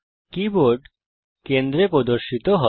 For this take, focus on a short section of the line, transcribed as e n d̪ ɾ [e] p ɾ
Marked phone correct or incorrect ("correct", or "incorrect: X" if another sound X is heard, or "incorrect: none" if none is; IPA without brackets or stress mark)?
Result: correct